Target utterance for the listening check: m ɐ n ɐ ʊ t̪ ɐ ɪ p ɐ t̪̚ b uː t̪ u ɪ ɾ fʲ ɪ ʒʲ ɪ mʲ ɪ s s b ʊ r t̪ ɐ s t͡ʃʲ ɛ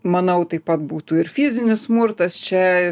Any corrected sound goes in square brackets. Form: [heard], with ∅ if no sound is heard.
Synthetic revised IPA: m ɐ n ɐ ʊ t̪ ɐ ɪ p ɐ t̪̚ b uː t̪ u ɪ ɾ fʲ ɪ [zʲ] ɪ [nʲ] ɪ s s [m] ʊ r t̪ ɐ s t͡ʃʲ ɛ